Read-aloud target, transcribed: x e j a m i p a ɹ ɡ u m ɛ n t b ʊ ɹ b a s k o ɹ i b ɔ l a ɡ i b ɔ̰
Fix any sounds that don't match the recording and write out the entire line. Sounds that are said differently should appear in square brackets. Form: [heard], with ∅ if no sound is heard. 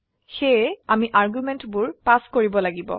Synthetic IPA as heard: x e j a m i [ʔ] a ɹ ɡ u m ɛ n t b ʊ ɹ [p] a s k o ɹ i b ɔ l a ɡ i b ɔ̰